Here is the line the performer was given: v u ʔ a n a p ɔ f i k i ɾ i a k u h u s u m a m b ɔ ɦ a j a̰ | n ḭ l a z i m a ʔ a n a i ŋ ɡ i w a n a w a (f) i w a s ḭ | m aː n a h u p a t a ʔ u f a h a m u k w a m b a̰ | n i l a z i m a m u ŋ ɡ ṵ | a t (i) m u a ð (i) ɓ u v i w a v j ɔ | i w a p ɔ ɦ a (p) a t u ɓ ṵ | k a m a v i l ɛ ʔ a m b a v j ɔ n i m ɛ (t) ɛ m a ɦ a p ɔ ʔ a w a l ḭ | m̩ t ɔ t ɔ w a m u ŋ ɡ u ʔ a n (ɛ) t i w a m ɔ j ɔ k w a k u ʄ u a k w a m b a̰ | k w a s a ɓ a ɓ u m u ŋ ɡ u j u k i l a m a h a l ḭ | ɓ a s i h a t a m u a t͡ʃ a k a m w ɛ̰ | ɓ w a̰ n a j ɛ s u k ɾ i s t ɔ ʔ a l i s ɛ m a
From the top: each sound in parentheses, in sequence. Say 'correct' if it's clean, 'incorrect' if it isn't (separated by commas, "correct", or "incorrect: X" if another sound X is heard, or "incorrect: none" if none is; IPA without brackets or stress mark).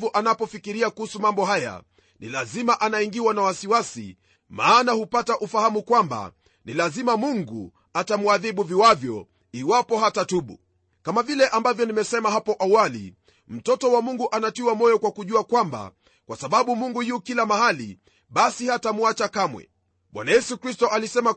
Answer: incorrect: s, incorrect: a, correct, incorrect: t, incorrect: s, incorrect: a